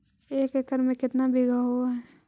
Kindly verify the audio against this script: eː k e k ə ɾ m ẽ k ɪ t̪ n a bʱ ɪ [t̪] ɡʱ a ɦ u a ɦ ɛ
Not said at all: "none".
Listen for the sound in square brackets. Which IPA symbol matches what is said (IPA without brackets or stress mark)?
none